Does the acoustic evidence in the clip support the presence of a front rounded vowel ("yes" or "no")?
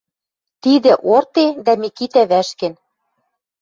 no